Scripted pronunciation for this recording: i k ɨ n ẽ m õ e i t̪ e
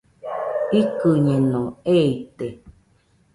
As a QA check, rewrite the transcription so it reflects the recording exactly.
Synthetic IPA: i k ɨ ɲ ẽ n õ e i t̪ e